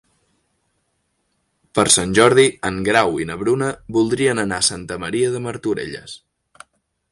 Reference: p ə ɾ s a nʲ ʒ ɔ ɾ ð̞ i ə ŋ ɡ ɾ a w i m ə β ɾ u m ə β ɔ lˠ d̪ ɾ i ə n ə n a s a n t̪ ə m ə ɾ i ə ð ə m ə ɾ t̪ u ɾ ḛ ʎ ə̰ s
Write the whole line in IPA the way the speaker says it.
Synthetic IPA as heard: p ə ɾ s a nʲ ʒ ɔ ɾ ð̞ i ə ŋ ɡ ɾ a w i n ə β ɾ u n ə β u lˠ d̪ ɾ i ə n ə n a s a n t̪ ə m ə ɾ i ə ð ə m ə ɾ t̪ u ɾ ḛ ʎ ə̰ s